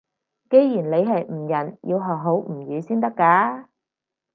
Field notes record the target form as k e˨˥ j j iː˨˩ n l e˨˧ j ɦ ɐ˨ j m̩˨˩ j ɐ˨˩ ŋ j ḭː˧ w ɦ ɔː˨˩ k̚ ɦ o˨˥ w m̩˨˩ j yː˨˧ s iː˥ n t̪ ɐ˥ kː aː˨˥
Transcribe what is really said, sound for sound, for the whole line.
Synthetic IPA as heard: k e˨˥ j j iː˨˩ n l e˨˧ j ɦ ɐ˨ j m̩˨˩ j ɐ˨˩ n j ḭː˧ w ɦ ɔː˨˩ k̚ ɦ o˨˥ w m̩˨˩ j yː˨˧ s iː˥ n t̪ ɐ˥ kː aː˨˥